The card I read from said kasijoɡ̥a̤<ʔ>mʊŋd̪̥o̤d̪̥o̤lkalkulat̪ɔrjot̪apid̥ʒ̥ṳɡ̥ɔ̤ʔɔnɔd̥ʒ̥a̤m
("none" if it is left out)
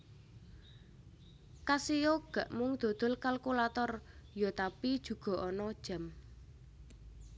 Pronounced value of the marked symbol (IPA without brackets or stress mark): ʔ